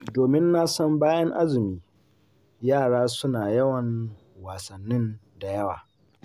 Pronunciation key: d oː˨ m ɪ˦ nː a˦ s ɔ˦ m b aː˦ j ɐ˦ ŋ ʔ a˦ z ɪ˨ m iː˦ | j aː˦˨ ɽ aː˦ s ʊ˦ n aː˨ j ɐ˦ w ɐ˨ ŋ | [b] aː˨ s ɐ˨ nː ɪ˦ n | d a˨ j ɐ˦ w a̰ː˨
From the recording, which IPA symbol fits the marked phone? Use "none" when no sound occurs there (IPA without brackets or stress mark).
w